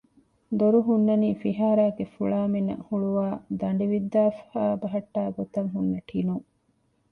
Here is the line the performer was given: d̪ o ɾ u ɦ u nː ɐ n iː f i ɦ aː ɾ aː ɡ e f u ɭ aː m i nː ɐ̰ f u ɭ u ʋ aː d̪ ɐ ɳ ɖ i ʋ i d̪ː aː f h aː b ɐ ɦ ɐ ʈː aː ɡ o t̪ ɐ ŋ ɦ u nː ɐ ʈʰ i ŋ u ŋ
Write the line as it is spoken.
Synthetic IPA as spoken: d̪ o ɾ u ɦ u nː ɐ n iː f i ɦ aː ɾ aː ɡ e f u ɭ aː m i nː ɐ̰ h u ɭ u ʋ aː d̪ ɐ ɳ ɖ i ʋ i d̪ː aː f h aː b ɐ ɦ ɐ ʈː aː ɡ o t̪ ɐ ŋ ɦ u nː ɐ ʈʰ i n u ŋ